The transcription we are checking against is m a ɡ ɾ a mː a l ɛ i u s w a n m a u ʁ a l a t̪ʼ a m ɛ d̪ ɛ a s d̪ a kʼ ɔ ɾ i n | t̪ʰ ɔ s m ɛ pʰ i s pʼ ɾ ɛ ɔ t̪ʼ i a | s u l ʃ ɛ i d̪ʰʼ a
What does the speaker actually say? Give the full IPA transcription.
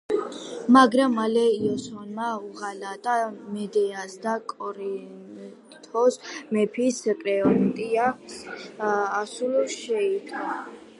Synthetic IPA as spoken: m a ɡ ɾ a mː a l ɛ i ɔ s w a n m a u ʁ a l a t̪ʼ a m ɛ d̪ ɛ a s d̪ a kʼ ɔ ɾ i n | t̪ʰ ɔ s m ɛ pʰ i s kʼ ɾ ɛ ɔ t̪ʼ i a | s u l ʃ ɛ i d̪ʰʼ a